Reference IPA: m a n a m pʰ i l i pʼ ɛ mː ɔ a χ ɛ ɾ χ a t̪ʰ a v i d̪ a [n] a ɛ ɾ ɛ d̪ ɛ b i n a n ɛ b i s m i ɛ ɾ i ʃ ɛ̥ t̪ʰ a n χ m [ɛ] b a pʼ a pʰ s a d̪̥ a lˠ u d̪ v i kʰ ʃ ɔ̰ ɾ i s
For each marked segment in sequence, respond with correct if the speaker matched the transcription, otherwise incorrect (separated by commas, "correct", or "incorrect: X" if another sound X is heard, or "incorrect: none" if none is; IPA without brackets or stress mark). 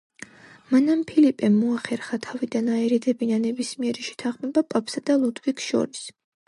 correct, correct